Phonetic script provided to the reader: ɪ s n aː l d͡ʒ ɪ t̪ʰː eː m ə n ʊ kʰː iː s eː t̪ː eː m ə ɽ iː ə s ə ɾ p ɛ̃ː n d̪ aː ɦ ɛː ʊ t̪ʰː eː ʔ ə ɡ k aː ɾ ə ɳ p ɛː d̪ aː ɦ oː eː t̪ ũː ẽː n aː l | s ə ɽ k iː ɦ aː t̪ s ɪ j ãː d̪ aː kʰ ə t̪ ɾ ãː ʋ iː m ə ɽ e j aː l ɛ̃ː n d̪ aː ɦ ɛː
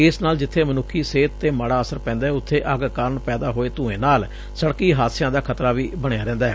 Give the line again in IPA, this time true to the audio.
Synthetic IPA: ɪ s n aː l d͡ʒ ɪ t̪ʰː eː m ə n ʊ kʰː iː s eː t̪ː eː m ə ɽ aː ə s ə ɾ p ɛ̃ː n d̪ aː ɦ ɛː ʊ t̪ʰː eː ʔ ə ɡ k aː ɾ ə ɳ p ɛː d̪ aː ɦ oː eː t̪ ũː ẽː n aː l | s ə ɽ k iː ɦ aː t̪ s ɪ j ãː d̪ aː kʰ ə t̪ ɾ aː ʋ iː b ə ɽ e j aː ɾ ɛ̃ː n d̪ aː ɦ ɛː